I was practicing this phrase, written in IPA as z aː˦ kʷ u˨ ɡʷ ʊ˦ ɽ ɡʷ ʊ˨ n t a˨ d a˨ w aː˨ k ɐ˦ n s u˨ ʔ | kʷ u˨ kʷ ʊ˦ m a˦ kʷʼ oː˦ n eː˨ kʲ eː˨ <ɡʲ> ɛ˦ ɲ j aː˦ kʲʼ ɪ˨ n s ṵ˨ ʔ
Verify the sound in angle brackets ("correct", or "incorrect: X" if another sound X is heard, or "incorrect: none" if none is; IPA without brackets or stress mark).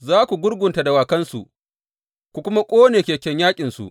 incorrect: kʲ